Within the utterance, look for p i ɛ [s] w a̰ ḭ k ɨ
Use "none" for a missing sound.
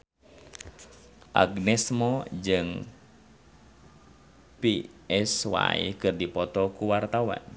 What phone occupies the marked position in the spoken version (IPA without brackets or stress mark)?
s